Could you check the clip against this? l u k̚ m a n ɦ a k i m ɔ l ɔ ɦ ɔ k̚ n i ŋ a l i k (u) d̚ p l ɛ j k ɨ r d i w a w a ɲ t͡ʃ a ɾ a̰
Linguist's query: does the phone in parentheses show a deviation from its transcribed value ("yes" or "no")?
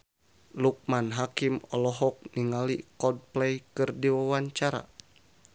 yes